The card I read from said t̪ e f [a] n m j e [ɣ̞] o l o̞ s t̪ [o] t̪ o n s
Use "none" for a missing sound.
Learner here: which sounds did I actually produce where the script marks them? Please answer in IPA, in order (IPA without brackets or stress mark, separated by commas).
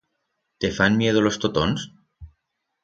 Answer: a, ð̞, o